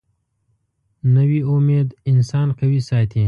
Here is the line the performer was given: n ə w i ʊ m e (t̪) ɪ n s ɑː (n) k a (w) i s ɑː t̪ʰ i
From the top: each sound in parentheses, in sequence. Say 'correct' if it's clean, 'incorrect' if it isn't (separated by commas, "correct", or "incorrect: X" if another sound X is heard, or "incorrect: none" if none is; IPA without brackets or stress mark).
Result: incorrect: d̪, correct, correct